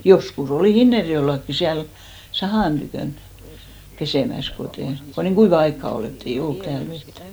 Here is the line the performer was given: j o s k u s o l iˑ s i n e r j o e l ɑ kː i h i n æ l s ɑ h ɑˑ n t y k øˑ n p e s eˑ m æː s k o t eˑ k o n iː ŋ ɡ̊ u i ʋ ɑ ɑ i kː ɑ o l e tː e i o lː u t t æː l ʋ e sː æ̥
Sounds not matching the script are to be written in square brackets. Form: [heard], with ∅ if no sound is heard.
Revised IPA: j o s k u s o l iˑ [h] i [nː] e r j o e [lː] ɑ kː i [s] i [∅] æ l s ɑ h ɑˑ n t y k øˑ n p e s eˑ m [æ] s k o t eˑ k o n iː ŋ ɡ̊ u i ʋ ɑ ɑ i kː ɑ o l e tː e i o lː u t t æː l ʋ e [tː] æ̥

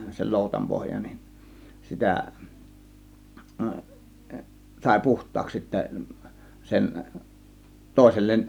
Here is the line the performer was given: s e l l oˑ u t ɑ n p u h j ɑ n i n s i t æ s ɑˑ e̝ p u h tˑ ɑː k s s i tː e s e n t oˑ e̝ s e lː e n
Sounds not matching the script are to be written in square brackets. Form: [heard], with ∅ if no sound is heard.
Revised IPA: s e l l oˑ u t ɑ [m] p [o] h j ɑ n i n s i t æ s ɑˑ e̝ p u h tˑ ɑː k s s i tː [æ] s e n t oˑ e̝ s e lː e n

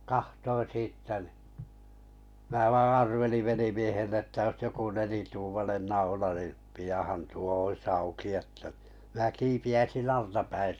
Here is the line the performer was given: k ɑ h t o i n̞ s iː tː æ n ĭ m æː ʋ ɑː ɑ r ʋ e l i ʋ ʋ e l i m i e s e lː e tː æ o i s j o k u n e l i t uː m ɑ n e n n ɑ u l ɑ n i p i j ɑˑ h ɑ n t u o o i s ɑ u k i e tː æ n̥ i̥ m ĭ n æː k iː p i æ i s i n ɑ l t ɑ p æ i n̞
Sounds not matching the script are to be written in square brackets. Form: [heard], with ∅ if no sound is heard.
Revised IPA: k ɑ h t o i n̞ s iː tː æ n ĭ m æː ʋ ɑː ɑ r ʋ e l i ʋ ʋ e l i m i e [h] e lː e tː æ o i s j o k u n e l i t uː m ɑ n e n n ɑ u l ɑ n i p i j ɑˑ h ɑ n t u o o i s ɑ u k i e tː æ n̥ i̥ m ĭ n [æ] k iː p i æ i s i n ɑ l t ɑ p æ i n̞

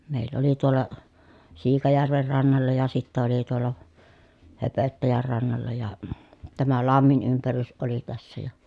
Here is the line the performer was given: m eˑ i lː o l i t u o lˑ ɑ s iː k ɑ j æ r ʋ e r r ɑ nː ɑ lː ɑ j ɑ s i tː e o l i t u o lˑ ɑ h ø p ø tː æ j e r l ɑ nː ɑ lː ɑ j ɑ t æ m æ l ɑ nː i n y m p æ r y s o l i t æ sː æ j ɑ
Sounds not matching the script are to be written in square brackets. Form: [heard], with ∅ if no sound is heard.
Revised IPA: m eˑ i lː o l i t u o lˑ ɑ s iː k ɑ j æ r ʋ e r r ɑ nː ɑ lː ɑ j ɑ s i tː [æ] o l i t u o lˑ ɑ h ø p ø tː æ j [æ] r [r] ɑ nː ɑ lː ɑ j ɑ t æ m æ l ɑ [mː] i n y m p æ r y s o l i t æ sː æ j ɑ

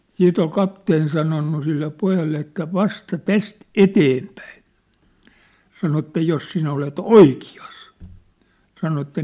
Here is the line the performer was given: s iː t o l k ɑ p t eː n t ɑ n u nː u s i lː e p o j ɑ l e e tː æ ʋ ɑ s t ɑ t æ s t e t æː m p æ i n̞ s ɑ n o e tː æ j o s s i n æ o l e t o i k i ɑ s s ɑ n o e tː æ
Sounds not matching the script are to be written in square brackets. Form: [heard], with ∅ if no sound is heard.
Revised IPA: s iː t o l k ɑ p t eː n [s] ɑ n [o] nː u s i lː e p o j ɑ [lː] e e tː æ ʋ ɑ s t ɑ t æ s t e t [eː] m p æ i n̞ s ɑ n o e tː æ j o s s i n æ o l e t o i k i ɑ s s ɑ n o e tː æ

